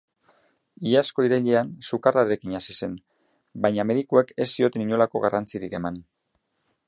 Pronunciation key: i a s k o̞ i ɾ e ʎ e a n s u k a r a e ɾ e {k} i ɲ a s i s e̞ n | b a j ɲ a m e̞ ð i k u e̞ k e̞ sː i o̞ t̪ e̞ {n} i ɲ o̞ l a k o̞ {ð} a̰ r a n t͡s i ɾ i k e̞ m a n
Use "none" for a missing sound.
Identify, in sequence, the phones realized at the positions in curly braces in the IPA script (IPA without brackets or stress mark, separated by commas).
k, n, ɣ